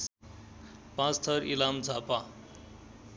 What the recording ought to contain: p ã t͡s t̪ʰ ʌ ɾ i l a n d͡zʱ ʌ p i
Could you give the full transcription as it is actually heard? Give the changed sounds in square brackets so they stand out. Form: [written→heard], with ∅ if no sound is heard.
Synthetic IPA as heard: p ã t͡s t̪ʰ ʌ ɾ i l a [n→m] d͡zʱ [ʌ→a] p [i→a]